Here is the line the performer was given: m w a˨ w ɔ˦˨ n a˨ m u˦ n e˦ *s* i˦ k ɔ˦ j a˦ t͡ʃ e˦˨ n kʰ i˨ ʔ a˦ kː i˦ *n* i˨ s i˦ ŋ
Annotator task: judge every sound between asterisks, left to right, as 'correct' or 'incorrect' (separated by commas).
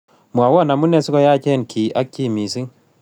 correct, incorrect